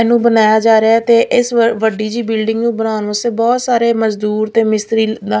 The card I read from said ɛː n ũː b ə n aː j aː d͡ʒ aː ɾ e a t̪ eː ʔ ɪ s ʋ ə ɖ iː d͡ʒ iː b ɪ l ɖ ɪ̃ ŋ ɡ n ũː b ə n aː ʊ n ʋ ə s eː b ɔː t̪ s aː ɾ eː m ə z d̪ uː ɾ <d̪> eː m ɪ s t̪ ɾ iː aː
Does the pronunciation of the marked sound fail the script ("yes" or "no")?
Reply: yes